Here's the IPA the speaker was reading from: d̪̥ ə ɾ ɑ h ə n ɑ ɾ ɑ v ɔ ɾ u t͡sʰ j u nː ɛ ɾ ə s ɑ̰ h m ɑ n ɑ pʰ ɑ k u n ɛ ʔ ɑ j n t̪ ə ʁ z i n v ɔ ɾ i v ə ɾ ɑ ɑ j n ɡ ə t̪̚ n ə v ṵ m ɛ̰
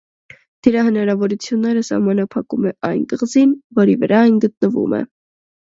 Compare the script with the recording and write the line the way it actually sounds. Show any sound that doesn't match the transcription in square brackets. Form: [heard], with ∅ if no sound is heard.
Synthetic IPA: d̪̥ ə ɾ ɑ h ə n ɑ ɾ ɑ v ɔ ɾ u t͡sʰ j u nː ɛ ɾ ə s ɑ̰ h m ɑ n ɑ pʰ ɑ k u [m] ɛ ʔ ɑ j n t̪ ə ʁ z i n v ɔ ɾ i v ə ɾ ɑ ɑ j n ɡ ə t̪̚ n ə v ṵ m ɛ̰